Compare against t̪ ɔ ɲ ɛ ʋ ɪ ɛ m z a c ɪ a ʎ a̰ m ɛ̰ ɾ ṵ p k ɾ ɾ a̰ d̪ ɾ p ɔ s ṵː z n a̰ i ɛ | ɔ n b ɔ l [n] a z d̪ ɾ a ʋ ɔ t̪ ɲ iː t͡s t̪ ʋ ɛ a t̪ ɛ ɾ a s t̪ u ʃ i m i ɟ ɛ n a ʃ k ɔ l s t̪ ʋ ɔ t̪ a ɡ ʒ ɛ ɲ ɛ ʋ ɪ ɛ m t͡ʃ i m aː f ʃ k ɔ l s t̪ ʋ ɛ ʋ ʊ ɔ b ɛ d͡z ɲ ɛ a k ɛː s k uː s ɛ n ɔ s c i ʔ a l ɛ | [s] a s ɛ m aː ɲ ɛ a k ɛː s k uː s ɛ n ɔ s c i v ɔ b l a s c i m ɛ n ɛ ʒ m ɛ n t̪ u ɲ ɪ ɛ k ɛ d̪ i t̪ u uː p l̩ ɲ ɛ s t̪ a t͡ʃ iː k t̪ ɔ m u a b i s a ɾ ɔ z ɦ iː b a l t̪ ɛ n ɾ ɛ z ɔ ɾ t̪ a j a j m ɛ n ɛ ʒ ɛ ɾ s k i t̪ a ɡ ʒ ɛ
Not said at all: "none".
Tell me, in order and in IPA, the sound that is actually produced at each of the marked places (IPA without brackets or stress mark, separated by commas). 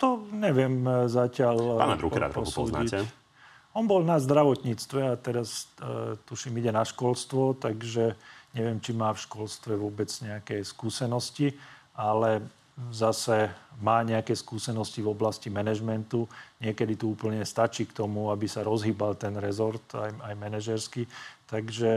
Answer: n, z